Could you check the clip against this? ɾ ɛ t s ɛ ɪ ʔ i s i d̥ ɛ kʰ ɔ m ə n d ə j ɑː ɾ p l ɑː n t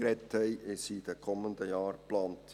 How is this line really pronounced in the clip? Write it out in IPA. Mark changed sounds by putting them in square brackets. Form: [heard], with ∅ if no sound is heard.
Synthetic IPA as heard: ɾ ɛ t [h] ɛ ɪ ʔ [ɪ] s i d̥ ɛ kʰ ɔ m ə n d ə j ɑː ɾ p l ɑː n t